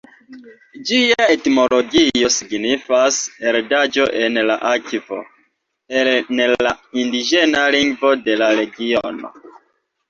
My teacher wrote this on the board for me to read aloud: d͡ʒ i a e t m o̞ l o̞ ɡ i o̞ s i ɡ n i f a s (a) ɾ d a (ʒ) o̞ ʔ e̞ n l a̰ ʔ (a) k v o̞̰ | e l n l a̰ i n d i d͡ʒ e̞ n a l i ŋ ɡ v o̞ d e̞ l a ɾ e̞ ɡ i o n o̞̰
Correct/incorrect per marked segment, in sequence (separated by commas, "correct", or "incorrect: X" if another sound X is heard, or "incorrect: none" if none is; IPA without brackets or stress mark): incorrect: e, incorrect: d͡ʒ, correct